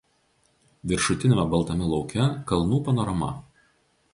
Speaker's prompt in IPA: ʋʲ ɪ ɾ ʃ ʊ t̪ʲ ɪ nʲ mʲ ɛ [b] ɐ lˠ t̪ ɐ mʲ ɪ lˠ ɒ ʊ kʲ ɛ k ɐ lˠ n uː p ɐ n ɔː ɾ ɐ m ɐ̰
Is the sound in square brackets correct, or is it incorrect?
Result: correct